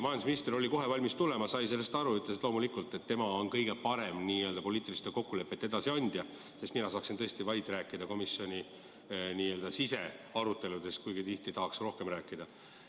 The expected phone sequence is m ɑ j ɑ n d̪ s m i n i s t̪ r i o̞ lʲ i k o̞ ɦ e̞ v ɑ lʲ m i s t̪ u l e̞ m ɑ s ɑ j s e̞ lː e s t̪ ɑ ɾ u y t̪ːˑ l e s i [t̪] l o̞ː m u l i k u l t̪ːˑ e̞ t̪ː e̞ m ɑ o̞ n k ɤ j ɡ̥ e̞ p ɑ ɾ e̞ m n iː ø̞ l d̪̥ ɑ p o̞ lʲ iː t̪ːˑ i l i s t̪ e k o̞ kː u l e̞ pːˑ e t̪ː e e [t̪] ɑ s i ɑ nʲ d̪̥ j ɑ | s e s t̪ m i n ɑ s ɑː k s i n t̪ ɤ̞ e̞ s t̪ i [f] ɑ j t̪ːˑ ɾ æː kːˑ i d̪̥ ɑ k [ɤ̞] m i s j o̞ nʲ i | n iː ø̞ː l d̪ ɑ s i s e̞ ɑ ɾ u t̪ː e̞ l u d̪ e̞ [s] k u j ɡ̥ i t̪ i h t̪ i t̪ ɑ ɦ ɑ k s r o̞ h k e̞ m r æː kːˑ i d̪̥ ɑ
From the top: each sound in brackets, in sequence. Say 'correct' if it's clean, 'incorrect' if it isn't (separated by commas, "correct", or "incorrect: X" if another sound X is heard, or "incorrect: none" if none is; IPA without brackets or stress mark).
correct, incorrect: d̪, incorrect: v, incorrect: o̞, correct